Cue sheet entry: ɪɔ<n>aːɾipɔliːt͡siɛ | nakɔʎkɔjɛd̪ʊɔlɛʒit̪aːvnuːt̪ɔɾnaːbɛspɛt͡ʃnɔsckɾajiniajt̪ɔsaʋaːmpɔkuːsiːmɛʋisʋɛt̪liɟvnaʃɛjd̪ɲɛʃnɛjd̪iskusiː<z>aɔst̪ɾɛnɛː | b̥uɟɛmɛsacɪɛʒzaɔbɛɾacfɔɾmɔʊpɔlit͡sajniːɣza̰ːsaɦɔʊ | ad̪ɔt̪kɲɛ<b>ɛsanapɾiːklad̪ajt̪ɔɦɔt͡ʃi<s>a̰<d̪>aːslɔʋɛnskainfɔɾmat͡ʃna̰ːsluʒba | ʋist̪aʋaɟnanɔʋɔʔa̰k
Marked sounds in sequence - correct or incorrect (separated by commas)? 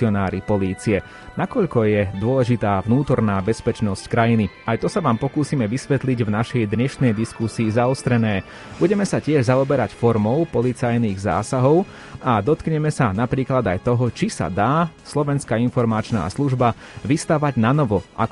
correct, correct, incorrect, correct, correct